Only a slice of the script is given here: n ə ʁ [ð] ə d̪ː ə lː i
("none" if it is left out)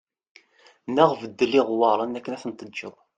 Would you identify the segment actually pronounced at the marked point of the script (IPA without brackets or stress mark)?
v